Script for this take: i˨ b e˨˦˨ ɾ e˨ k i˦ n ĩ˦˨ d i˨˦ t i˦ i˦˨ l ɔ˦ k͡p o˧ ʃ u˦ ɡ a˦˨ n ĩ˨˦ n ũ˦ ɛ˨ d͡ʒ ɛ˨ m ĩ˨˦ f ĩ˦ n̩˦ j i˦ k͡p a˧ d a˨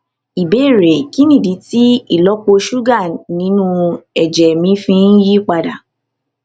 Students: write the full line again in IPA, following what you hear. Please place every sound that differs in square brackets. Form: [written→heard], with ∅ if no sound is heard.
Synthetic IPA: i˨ b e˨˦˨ ɾ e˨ k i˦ n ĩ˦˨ d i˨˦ t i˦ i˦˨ l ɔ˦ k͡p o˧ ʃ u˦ ɡ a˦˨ n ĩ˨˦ n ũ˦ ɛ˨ d͡ʒ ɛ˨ m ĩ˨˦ f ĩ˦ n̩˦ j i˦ k͡p a˧ d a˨